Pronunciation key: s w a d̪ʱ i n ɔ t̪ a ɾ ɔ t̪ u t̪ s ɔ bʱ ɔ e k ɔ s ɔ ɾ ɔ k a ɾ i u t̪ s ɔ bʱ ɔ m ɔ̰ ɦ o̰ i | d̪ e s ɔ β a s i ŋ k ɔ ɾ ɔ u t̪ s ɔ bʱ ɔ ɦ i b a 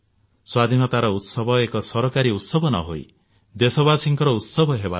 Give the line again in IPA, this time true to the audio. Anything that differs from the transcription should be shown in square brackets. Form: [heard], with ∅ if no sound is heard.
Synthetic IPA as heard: s w a d̪ʱ i n ɔ t̪ a ɾ ɔ [∅] u t̪ s ɔ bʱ ɔ e k ɔ s ɔ ɾ ɔ k a ɾ i u t̪ s ɔ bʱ ɔ [n] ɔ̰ ɦ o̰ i | d̪ e s ɔ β a s i ŋ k ɔ ɾ ɔ u t̪ s ɔ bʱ ɔ ɦ [e] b a